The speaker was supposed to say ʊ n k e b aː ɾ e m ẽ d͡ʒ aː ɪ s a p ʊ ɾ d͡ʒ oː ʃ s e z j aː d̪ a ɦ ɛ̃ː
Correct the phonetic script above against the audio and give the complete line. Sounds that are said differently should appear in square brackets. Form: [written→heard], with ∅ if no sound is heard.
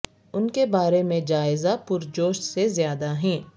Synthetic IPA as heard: ʊ n k e b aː ɾ e m ẽ d͡ʒ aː ɪ [s→z] a p ʊ ɾ d͡ʒ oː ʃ s e z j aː d̪ a ɦ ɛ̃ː